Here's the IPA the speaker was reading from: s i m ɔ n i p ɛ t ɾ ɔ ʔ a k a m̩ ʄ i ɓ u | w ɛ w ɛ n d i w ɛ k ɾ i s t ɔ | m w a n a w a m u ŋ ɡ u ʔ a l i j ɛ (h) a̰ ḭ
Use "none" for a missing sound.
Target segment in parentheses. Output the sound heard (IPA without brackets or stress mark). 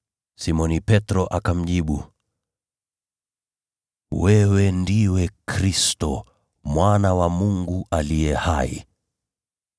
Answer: h